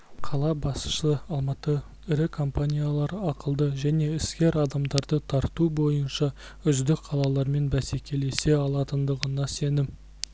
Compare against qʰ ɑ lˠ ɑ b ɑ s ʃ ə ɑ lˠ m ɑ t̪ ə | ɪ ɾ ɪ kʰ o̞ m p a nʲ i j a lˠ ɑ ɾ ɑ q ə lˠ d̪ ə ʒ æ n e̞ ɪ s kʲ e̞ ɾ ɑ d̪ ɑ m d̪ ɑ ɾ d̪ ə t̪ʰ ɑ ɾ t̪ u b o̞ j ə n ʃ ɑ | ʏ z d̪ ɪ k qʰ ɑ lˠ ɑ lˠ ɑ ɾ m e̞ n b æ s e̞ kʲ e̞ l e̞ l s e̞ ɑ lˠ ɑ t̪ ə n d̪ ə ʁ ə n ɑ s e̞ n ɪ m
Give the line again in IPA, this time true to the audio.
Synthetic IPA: qʰ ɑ lˠ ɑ b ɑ s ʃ ə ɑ lˠ m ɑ t̪ ə | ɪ ɾ ɪ kʰ o̞ m p a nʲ i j a lˠ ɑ ɾ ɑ q ə lˠ d̪ ə ʒ æ n e̞ ɪ s kʲ e̞ ɾ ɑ d̪ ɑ m d̪ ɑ ɾ d̪ ə t̪ʰ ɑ ɾ t̪ u b o̞ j ə n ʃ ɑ | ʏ z d̪ ɪ k qʰ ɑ lˠ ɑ lˠ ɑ ɾ m e̞ n b æ s e̞ kʲ e̞ l e̞ s e̞ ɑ lˠ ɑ t̪ ə n d̪ ə ʁ ə n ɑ s e̞ n ɪ m